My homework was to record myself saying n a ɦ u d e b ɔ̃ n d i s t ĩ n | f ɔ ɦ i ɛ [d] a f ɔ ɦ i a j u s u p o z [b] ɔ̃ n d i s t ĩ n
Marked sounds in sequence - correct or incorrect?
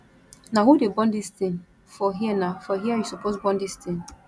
incorrect: n, correct

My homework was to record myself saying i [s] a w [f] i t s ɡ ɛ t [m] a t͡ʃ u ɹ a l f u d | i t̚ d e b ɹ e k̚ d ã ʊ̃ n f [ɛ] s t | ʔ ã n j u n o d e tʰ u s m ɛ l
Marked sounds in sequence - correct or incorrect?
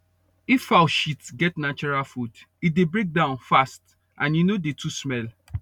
incorrect: f, incorrect: ʃ, incorrect: n, incorrect: a

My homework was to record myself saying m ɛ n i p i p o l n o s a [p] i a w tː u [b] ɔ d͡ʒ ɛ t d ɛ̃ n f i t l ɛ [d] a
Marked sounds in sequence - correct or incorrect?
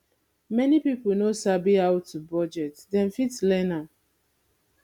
incorrect: b, correct, incorrect: n

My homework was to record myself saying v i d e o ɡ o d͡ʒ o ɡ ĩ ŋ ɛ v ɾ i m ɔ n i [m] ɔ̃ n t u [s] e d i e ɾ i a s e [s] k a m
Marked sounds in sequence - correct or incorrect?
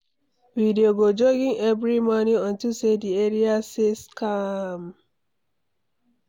incorrect: none, correct, correct

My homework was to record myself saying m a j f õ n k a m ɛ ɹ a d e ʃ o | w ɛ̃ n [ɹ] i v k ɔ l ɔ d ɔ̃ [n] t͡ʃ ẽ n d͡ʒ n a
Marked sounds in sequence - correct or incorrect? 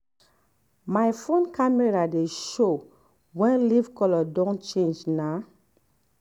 incorrect: l, correct

